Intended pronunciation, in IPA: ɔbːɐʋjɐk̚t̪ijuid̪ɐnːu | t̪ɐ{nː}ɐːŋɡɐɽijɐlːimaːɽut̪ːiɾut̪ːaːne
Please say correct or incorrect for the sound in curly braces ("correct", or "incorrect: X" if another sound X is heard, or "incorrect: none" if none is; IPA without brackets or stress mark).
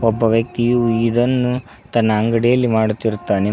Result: correct